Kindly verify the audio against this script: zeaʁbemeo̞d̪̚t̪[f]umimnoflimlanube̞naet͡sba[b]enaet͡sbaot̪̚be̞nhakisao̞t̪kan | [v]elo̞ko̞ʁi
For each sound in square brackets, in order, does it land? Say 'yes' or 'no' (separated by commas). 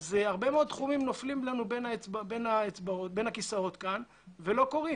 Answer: no, yes, yes